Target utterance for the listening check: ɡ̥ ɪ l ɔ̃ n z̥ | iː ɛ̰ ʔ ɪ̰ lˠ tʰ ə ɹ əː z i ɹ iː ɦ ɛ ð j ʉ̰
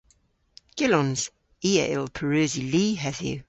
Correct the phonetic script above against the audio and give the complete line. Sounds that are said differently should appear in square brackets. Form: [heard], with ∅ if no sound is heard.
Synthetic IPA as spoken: ɡ̥ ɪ l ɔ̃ n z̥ | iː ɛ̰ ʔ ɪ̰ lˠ [pʰ] ə ɹ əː z i [l] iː ɦ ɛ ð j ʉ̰